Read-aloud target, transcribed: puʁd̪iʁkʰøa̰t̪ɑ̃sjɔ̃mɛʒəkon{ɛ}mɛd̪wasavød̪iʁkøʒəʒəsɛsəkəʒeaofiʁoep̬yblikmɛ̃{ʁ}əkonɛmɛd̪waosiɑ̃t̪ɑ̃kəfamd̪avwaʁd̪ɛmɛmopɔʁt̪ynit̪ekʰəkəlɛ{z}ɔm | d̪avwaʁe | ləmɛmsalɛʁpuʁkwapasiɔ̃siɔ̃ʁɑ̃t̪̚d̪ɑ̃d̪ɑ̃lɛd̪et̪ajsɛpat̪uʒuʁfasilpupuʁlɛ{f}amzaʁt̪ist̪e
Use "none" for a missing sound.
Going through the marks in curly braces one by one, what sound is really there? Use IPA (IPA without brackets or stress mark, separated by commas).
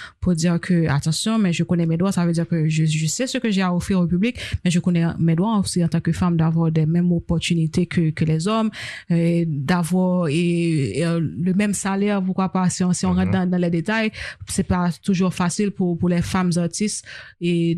ɛ, ʒ, z, f